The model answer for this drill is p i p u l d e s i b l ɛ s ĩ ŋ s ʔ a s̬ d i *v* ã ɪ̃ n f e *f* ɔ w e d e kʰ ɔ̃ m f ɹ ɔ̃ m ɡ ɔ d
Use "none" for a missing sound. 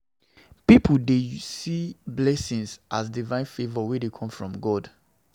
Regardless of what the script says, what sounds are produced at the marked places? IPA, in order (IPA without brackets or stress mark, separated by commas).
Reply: v, v